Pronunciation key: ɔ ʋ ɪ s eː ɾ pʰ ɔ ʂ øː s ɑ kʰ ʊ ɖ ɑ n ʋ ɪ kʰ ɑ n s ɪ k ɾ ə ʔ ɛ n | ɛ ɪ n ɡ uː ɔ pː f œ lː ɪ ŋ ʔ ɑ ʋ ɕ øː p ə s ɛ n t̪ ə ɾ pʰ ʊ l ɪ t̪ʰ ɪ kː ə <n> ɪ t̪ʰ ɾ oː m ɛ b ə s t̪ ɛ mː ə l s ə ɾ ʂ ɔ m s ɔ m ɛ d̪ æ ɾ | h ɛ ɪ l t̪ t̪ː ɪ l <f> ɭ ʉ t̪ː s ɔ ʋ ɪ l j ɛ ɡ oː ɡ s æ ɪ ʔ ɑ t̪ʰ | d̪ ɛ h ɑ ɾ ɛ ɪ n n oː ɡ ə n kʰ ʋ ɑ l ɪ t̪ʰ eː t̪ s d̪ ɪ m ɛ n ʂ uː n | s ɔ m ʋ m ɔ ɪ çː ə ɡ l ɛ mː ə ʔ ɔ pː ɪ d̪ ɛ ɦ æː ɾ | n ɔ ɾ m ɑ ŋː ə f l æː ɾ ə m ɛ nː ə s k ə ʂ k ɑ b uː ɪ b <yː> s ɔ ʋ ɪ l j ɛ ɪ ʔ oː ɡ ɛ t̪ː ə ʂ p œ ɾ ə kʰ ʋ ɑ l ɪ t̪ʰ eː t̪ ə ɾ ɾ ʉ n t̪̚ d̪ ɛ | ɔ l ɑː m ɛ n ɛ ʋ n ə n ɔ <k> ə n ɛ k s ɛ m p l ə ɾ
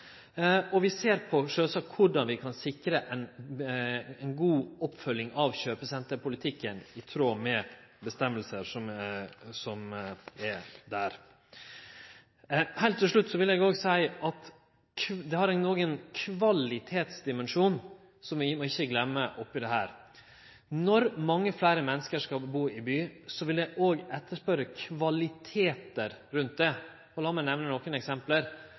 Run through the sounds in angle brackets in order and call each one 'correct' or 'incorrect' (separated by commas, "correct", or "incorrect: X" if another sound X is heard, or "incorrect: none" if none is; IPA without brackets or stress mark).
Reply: correct, incorrect: ʂ, correct, correct